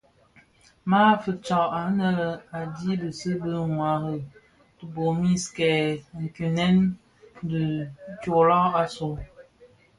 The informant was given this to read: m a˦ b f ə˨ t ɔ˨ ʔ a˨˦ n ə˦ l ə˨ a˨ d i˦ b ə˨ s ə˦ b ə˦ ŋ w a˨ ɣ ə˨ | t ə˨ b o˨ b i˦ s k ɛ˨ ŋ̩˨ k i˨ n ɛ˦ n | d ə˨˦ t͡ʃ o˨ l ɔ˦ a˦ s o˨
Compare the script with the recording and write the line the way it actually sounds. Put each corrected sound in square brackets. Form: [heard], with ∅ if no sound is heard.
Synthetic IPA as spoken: m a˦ [∅] f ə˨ [t͡ʃ] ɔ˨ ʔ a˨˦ n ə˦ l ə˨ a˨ d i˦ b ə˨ s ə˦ b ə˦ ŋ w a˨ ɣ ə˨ | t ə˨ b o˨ [m] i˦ s k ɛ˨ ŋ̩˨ k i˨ n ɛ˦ n | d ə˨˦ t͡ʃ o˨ l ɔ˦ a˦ s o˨